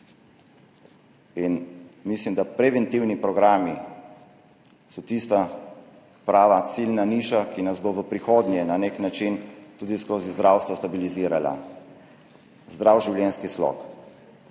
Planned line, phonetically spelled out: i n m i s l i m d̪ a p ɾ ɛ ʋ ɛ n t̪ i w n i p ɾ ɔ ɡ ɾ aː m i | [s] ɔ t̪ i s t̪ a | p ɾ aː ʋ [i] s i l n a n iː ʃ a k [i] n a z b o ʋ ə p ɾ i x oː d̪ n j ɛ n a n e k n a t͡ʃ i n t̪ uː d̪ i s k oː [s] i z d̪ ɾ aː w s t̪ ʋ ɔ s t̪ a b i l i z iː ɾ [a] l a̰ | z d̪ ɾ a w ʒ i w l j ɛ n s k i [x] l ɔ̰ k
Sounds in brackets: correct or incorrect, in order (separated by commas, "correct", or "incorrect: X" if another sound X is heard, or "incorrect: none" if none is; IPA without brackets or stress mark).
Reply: correct, incorrect: a, correct, incorrect: z, correct, incorrect: s